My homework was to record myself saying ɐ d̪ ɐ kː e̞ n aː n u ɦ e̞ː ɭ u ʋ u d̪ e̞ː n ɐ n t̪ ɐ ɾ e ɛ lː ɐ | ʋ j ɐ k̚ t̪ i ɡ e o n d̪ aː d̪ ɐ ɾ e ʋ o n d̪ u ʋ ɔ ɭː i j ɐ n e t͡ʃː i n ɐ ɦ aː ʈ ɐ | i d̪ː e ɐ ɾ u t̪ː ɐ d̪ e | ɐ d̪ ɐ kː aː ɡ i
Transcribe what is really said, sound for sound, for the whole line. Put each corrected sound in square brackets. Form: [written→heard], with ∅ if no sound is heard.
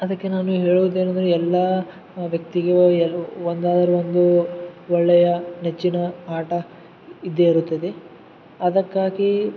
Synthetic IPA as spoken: ɐ d̪ ɐ kː e̞ n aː n u ɦ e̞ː ɭ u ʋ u d̪ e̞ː n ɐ n [t̪→d̪] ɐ ɾ e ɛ lː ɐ | ʋ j ɐ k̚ t̪ i ɡ e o n d̪ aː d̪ ɐ ɾ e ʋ o n d̪ u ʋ ɔ ɭː [i→ɛ] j ɐ n e t͡ʃː i n ɐ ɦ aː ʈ ɐ | i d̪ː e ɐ ɾ u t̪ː ɐ d̪ e | ɐ d̪ ɐ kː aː ɡ i